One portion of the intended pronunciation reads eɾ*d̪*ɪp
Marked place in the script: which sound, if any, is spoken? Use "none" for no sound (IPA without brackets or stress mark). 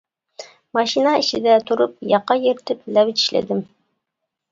t̪